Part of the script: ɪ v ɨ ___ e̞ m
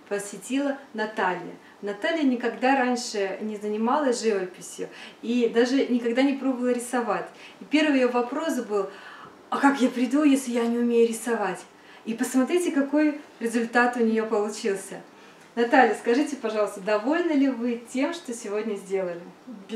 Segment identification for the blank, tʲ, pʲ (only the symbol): tʲ